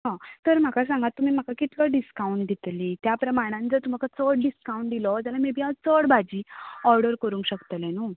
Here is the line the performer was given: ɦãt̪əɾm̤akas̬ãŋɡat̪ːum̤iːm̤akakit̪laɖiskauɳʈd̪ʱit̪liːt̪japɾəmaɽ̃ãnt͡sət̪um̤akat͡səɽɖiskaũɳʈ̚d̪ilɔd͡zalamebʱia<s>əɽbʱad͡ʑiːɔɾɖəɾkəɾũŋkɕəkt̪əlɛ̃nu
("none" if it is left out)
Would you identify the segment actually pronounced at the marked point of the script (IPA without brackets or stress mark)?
t͡s